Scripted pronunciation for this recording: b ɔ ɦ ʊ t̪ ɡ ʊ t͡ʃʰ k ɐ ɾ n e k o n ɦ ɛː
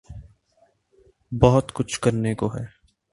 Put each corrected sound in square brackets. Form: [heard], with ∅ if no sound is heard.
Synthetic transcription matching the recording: b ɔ ɦ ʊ t̪ [k] ʊ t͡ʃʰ k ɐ ɾ n e k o [∅] ɦ ɛː